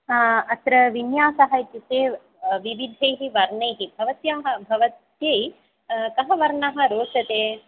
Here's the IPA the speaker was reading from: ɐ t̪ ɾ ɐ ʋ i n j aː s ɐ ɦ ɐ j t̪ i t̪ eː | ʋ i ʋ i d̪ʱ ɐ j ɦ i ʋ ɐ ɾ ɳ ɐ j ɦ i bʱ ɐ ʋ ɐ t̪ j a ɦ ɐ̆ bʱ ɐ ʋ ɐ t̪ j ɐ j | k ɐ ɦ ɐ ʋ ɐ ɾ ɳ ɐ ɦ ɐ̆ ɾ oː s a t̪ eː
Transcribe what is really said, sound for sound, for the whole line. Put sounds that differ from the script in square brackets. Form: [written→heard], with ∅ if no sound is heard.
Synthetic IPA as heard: ɐ t̪ ɾ ɐ ʋ i n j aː s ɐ ɦ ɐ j t̪ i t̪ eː | ʋ i ʋ i d̪ʱ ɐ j ɦ i ʋ ɐ ɾ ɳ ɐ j ɦ i bʱ ɐ ʋ ɐ t̪ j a ɦ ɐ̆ bʱ ɐ ʋ ɐ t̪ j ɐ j | k ɐ ɦ ɐ ʋ ɐ ɾ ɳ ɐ ɦ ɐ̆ ɾ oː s [a→ɐ] t̪ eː